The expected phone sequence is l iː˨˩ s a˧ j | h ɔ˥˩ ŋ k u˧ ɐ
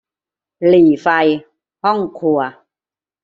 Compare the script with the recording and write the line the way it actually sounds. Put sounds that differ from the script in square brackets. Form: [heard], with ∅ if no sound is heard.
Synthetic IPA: l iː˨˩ [f] a˧ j | h ɔ˥˩ ŋ [kʰ] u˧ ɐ